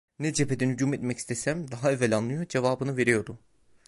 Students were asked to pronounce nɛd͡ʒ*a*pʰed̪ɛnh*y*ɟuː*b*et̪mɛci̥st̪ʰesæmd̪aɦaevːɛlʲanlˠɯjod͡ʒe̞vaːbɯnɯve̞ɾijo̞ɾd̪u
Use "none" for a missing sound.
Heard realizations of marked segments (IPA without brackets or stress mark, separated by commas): e, y, m